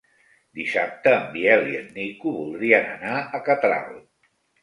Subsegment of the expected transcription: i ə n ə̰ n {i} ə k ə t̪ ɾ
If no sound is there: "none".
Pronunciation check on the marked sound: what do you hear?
a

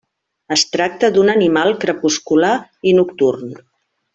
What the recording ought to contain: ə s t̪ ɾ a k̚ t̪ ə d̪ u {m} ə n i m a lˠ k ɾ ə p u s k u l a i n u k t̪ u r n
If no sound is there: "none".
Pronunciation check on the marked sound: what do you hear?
n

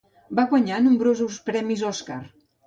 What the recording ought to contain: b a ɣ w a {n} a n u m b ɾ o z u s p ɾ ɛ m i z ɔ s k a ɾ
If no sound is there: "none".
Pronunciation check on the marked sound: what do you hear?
ɲ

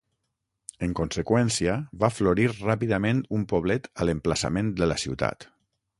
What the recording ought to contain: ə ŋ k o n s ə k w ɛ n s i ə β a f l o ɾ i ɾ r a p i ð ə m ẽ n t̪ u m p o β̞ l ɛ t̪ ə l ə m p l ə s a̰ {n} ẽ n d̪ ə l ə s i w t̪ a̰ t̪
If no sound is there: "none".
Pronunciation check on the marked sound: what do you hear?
m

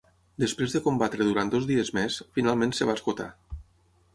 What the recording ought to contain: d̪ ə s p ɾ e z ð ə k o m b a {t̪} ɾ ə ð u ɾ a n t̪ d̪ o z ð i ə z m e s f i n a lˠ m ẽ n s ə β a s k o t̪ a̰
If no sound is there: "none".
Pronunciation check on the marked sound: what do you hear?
t̪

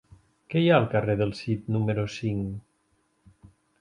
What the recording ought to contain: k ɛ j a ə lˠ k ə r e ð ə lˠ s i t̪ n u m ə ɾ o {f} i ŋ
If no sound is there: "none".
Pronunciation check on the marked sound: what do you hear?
s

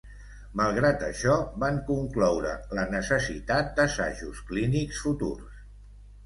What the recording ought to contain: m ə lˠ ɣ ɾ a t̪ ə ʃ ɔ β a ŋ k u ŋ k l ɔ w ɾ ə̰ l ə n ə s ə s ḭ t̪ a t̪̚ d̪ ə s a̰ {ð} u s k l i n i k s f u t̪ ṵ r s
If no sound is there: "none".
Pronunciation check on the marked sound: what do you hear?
ʒ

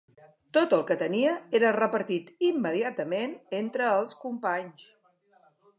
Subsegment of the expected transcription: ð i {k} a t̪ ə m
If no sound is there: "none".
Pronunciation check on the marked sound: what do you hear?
none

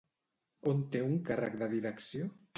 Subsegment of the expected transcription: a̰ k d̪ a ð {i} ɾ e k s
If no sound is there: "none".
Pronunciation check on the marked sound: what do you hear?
i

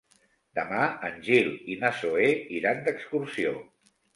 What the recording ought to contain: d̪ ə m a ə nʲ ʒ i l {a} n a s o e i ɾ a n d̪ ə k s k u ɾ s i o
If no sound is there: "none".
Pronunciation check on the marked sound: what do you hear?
i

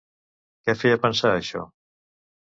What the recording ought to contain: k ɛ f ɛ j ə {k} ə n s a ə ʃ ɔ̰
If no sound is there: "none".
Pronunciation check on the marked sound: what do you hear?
p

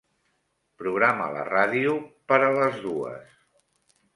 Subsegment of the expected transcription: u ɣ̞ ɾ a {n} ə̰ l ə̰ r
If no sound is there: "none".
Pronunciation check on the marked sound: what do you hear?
m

